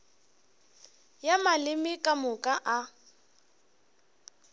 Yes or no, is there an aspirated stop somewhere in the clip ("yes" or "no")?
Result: no